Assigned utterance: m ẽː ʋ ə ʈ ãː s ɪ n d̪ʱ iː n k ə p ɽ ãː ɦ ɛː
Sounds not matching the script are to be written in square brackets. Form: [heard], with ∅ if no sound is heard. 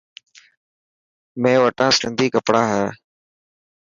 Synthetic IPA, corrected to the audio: m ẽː ʋ ə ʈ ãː s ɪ n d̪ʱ iː [∅] k ə p ɽ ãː ɦ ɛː